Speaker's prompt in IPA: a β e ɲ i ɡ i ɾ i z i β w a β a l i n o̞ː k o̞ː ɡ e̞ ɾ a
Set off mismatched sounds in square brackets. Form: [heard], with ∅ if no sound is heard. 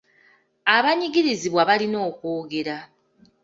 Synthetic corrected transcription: a β [a] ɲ i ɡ i ɾ i z i β w a β a l i n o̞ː k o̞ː ɡ e̞ ɾ a